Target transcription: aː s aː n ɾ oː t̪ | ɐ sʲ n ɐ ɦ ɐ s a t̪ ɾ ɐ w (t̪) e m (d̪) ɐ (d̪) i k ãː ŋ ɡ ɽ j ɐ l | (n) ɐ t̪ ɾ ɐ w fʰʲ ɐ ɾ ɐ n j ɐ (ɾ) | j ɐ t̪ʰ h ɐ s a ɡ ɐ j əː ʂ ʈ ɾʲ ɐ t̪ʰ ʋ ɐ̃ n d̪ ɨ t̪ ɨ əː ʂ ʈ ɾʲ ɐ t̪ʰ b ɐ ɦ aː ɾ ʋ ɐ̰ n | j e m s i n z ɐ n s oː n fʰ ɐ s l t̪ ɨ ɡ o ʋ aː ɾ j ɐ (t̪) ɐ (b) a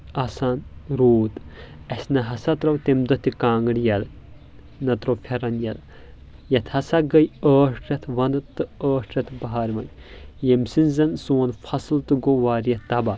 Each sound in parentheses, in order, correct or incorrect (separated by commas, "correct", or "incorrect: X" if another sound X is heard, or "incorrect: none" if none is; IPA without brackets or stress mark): correct, correct, incorrect: t̪, correct, incorrect: l, correct, correct